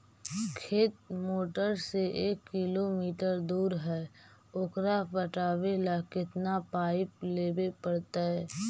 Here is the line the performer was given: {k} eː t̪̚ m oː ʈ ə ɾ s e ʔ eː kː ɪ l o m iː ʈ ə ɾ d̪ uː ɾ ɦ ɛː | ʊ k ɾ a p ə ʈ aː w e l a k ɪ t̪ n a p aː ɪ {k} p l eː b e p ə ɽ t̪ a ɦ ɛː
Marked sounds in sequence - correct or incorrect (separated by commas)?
incorrect, incorrect